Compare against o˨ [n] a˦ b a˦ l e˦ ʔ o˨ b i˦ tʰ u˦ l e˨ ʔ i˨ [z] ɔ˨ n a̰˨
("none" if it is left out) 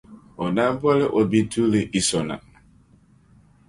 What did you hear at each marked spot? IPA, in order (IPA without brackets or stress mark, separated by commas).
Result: n, s